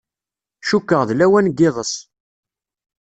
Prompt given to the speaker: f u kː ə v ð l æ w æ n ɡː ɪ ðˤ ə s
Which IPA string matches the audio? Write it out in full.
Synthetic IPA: ʃ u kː ə ʁ ð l æ w æ n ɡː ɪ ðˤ ə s